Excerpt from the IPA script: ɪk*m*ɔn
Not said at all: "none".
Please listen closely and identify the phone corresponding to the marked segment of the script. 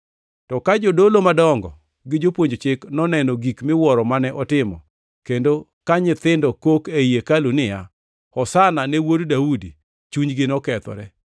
n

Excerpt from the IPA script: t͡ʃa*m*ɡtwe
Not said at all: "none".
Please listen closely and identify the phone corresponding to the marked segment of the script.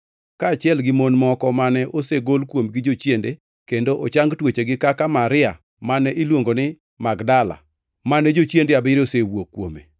ŋ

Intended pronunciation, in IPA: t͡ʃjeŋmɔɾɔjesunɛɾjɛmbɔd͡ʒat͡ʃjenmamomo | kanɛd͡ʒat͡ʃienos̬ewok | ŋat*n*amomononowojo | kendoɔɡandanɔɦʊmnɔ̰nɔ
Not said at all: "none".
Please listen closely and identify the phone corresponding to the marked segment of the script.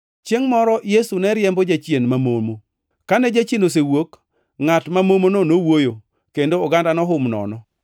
m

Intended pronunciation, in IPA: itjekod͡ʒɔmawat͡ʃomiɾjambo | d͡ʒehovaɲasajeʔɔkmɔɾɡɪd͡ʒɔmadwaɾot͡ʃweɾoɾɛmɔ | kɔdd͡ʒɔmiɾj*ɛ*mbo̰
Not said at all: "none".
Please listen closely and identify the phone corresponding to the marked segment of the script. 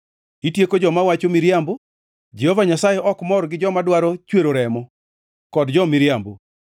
a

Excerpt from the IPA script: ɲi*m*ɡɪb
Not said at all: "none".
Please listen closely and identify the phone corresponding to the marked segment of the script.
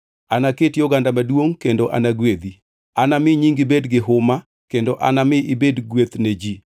ŋ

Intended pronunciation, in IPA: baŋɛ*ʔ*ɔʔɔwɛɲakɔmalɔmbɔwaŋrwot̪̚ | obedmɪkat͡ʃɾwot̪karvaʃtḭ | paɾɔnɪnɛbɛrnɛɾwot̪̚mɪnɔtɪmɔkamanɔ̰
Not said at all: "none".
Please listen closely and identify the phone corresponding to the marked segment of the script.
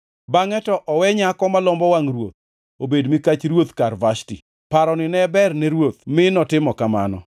t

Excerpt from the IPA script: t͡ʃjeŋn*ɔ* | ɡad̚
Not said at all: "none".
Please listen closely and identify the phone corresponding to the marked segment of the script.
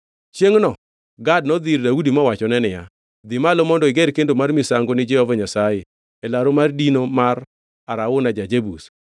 ɔ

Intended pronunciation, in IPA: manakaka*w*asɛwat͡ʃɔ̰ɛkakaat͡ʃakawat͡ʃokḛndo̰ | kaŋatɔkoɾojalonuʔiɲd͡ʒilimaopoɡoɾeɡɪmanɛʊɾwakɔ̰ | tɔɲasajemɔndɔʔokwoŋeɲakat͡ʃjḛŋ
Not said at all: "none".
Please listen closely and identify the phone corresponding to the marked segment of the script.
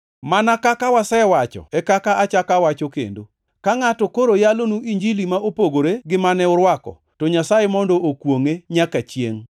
w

